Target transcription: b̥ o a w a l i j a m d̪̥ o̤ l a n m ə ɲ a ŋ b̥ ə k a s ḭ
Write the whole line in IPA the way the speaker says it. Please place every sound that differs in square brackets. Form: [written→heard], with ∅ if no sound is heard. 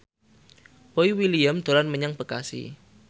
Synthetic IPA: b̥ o [a→i] w [a→i] l i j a m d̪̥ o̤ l a n m ə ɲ a ŋ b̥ ə k a s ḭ